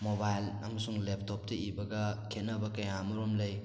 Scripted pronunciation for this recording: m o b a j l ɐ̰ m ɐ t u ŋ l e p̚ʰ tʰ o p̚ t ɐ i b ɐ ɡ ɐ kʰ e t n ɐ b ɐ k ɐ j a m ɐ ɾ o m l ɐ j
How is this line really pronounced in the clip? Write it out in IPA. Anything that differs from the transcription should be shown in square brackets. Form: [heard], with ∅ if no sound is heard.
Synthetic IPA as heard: m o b a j l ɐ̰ m ɐ [s] u ŋ l e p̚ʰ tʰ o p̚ t ɐ i b ɐ ɡ ɐ kʰ e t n ɐ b ɐ k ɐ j a m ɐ ɾ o m l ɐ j